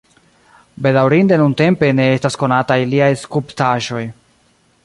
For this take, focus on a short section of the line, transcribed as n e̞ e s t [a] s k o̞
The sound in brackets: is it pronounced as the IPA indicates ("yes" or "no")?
yes